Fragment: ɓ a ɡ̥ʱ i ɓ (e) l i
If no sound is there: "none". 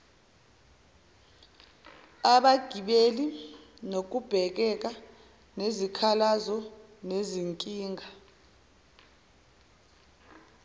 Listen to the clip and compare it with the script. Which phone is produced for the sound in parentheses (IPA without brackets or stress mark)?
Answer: e